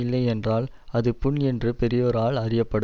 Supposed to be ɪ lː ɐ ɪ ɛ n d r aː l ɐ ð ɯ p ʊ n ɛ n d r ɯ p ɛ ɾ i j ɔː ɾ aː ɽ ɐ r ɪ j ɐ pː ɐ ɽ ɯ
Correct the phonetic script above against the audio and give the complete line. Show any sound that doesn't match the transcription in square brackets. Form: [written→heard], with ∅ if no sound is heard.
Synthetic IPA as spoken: ɪ lː ɐ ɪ ɛ n d r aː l ɐ ð ɯ p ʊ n ɛ n d r ɯ p ɛ ɾ [i→ɪ] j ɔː ɾ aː [ɽ→ɭ] ɐ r ɪ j ɐ pː ɐ ɽ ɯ